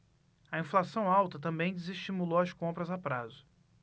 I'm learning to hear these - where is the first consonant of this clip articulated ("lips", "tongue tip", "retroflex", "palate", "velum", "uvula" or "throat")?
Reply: lips